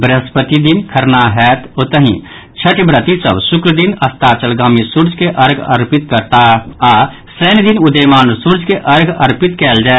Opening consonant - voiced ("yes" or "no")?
yes